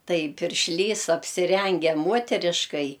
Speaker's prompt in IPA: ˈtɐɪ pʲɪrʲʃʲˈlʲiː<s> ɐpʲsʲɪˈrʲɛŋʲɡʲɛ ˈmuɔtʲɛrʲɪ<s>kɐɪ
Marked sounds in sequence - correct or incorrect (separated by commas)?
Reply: correct, incorrect